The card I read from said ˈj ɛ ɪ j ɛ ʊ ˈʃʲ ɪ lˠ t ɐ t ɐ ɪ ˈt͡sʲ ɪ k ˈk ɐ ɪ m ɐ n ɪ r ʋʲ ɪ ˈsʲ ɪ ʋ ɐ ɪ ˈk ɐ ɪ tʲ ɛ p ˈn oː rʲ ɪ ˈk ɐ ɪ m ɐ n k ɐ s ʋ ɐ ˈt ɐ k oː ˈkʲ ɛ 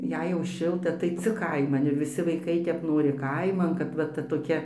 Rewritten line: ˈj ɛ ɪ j ɛ ʊ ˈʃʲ ɪ lˠ t ɐ t ɐ ɪ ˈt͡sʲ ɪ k ˈk ɐ ɪ m ɐ n ɪ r ʋʲ ɪ ˈsʲ ɪ ʋ ɐ ɪ ˈk ɐ ɪ tʲ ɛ p ˈn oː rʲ ɪ ˈk ɐ ɪ m ɐ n k ɐ t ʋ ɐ ˈt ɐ t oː ˈkʲ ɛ